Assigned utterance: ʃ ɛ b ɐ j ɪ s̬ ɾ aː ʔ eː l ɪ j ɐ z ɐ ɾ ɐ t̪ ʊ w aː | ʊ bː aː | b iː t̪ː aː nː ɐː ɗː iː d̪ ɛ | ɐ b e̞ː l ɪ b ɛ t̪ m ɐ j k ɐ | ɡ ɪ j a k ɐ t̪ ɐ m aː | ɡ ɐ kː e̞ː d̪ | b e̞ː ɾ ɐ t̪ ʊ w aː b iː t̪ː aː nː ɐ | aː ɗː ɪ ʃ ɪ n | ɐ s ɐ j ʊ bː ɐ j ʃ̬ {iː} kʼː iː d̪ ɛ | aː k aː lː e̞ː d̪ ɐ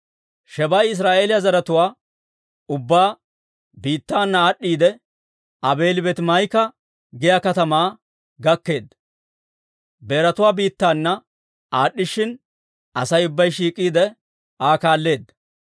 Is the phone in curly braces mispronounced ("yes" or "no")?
no